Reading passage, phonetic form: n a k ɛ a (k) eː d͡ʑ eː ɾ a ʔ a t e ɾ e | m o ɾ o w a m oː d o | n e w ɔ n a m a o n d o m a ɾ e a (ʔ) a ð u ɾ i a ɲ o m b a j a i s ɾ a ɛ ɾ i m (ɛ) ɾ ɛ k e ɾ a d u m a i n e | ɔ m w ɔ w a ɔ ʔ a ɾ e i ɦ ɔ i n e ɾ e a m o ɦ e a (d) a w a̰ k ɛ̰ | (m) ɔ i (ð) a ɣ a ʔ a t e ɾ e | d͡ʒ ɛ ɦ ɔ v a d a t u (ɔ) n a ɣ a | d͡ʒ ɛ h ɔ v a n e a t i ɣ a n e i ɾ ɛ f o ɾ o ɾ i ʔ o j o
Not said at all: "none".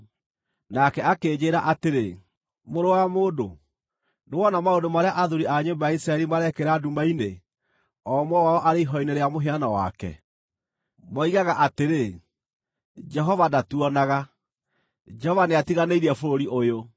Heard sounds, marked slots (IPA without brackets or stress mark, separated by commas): k, ʔ, a, n, m, ɣ, ɔ